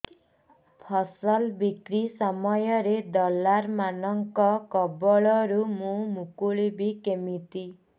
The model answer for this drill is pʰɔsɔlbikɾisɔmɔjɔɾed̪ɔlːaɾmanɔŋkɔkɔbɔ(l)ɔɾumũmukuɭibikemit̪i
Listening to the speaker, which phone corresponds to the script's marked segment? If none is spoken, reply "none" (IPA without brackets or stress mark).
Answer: ɭ